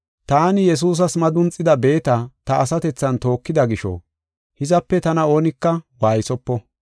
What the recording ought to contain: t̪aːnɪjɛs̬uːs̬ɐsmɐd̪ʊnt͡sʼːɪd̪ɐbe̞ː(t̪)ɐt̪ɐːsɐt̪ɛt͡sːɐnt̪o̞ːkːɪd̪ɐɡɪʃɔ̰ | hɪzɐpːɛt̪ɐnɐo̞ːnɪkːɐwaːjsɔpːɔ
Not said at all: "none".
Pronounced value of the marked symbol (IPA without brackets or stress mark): t̪